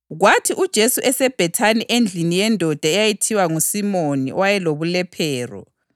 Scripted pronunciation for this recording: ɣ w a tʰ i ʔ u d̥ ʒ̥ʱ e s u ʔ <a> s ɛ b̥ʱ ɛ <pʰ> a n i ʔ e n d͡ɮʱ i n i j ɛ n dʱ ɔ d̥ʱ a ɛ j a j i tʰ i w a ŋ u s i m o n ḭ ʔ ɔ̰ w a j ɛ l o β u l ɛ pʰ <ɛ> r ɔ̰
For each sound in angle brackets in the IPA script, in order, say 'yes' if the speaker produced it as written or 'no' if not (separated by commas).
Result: no, no, no